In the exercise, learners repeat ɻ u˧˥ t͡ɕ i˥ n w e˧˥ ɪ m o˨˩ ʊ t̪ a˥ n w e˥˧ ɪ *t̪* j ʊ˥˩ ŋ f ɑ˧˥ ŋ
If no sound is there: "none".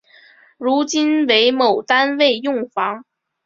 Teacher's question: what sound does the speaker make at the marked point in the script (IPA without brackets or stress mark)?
none